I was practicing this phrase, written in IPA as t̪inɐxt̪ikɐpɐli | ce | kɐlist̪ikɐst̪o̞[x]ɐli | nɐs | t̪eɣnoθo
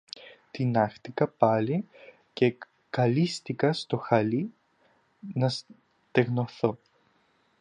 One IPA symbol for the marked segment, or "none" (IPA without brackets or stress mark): x